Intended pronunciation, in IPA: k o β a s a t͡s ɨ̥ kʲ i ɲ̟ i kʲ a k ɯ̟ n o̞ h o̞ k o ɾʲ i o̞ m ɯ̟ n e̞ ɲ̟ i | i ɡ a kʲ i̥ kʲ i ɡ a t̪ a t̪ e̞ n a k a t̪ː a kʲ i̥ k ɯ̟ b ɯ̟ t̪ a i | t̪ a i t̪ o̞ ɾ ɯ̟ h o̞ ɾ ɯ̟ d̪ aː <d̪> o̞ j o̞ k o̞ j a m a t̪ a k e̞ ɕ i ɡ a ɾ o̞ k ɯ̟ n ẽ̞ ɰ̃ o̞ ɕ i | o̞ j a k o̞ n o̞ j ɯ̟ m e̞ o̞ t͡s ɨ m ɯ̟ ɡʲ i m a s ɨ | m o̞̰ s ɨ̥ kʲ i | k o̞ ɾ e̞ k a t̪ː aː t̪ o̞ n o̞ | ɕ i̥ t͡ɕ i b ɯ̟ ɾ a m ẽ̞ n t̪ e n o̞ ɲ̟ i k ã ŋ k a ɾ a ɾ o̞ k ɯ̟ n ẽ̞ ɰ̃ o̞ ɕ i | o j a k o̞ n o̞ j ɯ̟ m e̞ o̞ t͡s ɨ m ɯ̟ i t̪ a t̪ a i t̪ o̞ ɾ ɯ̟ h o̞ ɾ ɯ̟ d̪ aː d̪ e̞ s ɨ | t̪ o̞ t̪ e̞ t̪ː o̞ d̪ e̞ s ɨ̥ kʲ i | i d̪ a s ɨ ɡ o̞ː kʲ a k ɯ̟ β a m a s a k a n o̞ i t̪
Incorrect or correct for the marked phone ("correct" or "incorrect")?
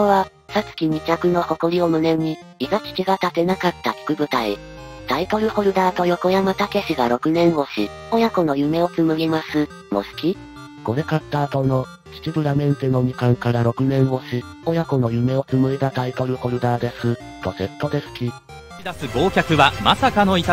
incorrect